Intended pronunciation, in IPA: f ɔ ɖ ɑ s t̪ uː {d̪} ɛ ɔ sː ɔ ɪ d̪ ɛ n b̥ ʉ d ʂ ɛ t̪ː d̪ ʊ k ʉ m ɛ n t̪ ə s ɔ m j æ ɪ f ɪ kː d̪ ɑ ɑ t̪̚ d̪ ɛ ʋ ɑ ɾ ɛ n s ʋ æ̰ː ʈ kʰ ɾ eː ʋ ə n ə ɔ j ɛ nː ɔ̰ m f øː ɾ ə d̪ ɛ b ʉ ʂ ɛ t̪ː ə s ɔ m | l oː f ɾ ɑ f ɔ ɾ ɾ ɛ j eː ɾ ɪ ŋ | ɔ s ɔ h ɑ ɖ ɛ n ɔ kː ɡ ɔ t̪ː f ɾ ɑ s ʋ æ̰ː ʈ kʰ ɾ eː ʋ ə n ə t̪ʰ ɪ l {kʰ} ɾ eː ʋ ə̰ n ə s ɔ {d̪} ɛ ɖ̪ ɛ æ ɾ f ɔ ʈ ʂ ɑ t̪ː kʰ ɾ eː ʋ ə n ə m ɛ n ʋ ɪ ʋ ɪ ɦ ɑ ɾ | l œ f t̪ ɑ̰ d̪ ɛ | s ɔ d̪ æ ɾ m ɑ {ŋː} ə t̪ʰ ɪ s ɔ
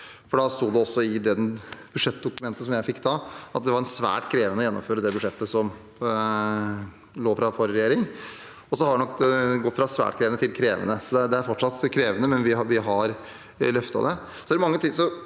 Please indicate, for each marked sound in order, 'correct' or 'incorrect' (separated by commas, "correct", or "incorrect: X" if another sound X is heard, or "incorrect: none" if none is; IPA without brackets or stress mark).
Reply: correct, correct, correct, correct